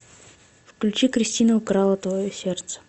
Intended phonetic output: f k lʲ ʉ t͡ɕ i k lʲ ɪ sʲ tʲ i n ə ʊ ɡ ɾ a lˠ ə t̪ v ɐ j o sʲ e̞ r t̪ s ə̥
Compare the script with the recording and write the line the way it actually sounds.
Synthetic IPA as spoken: f k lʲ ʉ t͡ɕ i k ɾʲ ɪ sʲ tʲ i n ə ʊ k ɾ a lˠ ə t̪ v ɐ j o sʲ e̞ r t̪ s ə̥